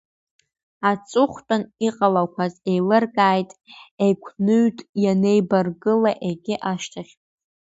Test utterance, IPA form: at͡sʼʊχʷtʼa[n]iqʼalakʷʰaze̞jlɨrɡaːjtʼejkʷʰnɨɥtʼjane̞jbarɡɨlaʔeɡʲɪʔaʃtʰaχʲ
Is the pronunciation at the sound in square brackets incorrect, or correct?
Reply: correct